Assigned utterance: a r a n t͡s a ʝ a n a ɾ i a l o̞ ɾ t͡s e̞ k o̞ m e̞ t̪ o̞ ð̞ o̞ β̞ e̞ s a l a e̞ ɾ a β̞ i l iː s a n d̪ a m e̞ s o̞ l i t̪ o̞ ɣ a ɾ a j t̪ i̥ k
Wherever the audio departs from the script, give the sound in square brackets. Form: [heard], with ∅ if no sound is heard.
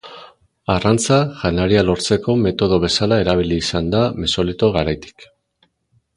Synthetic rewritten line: a r a n t͡s a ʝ a n a ɾ i a l o̞ ɾ t͡s e̞ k o̞ m e̞ t̪ o̞ ð̞ o̞ β̞ e̞ s a l a e̞ ɾ a β̞ i l iː s a n d̪ a m e̞ s o̞ l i t̪ o̞ ɣ a ɾ a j t̪ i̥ k